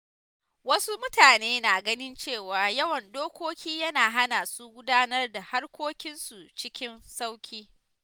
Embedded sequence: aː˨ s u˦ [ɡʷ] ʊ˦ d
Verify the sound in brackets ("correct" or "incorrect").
correct